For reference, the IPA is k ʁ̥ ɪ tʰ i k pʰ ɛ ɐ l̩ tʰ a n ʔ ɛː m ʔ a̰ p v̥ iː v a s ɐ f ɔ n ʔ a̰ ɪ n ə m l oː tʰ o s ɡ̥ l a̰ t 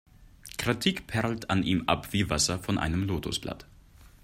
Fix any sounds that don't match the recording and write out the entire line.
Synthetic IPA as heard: k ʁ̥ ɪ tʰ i k pʰ ɛ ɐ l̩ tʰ a n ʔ iː m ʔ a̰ p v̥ iː v a s ɐ f ɔ n ʔ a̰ ɪ n ə m l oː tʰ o s b̥ l a̰ t